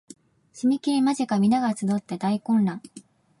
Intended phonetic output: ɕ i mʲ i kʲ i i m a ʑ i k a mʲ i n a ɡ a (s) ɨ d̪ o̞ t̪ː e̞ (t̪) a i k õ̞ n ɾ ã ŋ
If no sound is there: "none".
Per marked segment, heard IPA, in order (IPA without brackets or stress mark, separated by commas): t͡s, d̪